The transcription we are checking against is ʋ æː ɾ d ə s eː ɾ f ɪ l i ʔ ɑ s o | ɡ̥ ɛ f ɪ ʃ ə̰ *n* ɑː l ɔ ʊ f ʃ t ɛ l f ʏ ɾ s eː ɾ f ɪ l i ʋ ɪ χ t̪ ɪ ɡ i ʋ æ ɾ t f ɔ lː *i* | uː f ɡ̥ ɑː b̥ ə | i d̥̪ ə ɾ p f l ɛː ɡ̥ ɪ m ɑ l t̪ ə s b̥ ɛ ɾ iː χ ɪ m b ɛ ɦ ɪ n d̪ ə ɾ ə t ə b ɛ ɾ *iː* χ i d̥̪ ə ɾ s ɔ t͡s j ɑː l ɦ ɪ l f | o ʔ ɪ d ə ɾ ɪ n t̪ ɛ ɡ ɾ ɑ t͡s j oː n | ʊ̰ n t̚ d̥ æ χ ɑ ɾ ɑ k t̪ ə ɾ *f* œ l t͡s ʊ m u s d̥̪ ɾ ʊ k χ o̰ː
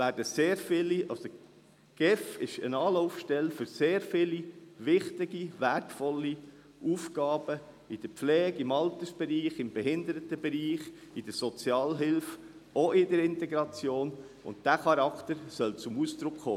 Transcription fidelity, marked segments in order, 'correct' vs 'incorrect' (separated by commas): correct, correct, correct, incorrect